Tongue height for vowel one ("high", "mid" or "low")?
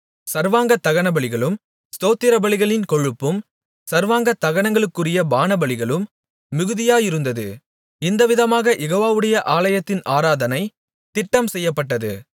low